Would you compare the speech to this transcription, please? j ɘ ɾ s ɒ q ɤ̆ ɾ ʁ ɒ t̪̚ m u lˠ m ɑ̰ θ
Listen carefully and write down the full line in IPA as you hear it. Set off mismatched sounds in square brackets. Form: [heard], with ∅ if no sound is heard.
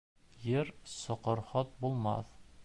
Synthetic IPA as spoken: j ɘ ɾ s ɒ q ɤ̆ ɾ [χ] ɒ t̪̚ [b] u lˠ m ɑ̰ θ